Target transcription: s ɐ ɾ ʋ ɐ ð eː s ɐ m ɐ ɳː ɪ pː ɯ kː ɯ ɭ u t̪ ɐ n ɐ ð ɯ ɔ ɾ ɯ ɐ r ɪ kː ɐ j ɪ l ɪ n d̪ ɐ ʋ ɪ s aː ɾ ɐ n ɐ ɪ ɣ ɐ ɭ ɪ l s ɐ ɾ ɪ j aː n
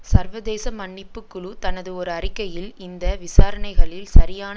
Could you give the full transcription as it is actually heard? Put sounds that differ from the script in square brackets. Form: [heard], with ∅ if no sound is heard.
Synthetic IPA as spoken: s ɐ ɾ ʋ ɐ ð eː s ɐ m ɐ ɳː ɪ pː ɯ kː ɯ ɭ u t̪ ɐ n ɐ ð ɯ ɔ ɾ ɯ ɐ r ɪ kː ɐ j ɪ l ɪ n d̪ ɐ ʋ ɪ s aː ɾ ɐ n ɐ ɪ ɣ ɐ ɭ ɪ l s ɐ ɾ ɪ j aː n